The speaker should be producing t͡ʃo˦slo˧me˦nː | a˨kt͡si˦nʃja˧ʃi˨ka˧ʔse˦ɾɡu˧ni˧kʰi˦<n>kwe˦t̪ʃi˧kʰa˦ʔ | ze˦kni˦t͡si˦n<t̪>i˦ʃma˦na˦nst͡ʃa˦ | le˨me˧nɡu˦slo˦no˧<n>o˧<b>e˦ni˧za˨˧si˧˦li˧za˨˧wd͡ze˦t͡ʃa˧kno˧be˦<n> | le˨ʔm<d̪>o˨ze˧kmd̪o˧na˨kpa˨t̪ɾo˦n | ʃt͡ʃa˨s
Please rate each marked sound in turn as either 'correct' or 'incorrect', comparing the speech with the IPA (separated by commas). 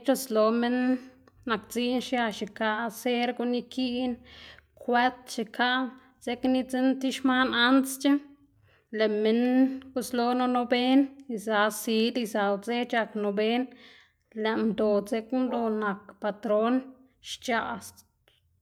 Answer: correct, correct, correct, correct, correct, correct